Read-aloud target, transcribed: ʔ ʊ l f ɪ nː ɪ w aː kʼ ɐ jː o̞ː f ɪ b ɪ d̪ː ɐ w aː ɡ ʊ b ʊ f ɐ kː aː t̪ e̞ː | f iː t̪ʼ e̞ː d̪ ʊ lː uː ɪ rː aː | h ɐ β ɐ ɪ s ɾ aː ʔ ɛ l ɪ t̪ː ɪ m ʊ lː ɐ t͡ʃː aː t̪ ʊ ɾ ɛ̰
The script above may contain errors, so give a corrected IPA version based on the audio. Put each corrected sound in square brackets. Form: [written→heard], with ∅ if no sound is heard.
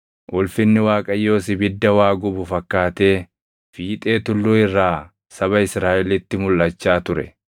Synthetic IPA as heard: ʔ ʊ l f ɪ nː ɪ w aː kʼ ɐ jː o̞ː [f→s] ɪ b ɪ d̪ː ɐ w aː ɡ ʊ b ʊ f ɐ kː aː t̪ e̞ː | f iː t̪ʼ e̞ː [d̪→t̪] ʊ lː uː ɪ rː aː | [h→s] ɐ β ɐ ɪ s ɾ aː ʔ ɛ l ɪ t̪ː ɪ m ʊ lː ɐ t͡ʃː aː t̪ ʊ ɾ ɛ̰